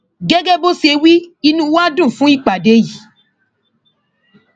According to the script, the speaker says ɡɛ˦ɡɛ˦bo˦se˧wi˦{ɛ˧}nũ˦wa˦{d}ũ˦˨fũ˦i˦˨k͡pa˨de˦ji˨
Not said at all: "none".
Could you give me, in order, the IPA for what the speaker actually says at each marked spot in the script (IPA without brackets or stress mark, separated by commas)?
i˧, d